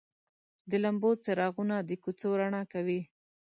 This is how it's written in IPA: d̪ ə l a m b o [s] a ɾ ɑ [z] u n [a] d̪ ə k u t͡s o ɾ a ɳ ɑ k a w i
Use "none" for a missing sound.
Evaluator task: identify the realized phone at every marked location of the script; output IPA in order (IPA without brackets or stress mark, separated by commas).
t͡s, ɣ, a